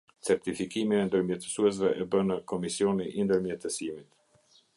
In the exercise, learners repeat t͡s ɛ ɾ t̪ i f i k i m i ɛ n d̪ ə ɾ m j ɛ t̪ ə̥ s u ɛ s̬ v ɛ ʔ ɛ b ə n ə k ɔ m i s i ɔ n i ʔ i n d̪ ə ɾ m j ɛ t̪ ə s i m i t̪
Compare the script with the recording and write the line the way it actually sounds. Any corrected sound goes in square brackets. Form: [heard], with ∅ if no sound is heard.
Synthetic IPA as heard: t͡s ɛ ɾ t̪ i f i k i m i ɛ n d̪ ə ɾ m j ɛ t̪ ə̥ s u ɛ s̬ v ɛ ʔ ɛ b ə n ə k ɔ m i s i ɔ n i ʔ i n d̪ ə ɾ m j ɛ t̪ ə s i m i t̪